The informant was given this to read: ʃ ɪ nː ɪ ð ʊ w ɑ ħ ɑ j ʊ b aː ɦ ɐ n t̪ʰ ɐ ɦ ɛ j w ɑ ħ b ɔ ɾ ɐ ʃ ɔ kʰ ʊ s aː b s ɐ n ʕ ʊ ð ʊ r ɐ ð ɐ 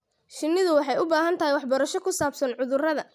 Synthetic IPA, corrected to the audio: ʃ ɪ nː ɪ ð ʊ w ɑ ħ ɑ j ʊ b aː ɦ ɐ n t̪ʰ ɐ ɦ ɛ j w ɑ ħ b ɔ ɾ ɐ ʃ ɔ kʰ ʊ s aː b s ɐ n ʕ ʊ ð ʊ r ɐ ð ɐ